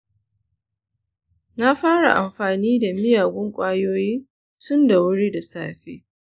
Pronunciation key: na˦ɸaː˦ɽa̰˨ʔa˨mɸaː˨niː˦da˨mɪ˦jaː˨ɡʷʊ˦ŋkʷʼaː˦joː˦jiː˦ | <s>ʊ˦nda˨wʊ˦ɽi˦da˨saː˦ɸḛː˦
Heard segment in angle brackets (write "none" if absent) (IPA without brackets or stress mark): t